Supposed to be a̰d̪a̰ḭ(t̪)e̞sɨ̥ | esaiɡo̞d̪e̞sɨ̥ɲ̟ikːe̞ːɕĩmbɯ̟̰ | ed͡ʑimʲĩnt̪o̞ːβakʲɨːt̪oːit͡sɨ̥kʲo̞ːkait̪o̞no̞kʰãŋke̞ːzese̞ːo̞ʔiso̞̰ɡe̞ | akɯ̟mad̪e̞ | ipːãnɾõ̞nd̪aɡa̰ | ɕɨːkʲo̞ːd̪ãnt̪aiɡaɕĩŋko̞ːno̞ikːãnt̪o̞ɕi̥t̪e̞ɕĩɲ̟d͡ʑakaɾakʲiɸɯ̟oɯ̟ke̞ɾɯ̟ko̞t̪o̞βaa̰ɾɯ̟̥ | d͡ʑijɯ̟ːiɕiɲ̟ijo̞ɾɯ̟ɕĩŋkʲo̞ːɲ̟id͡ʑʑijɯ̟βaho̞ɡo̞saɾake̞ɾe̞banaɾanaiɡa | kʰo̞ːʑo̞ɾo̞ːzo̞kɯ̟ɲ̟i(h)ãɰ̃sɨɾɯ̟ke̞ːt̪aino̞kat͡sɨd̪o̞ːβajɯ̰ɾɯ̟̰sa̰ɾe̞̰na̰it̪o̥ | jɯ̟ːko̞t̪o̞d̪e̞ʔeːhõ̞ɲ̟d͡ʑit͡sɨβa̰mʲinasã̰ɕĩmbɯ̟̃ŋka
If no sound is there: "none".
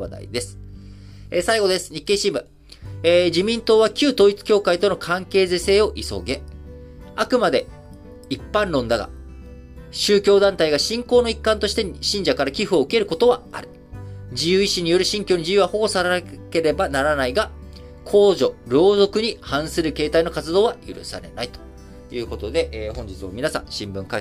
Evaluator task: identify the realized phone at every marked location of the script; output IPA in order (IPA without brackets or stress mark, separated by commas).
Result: d̪, h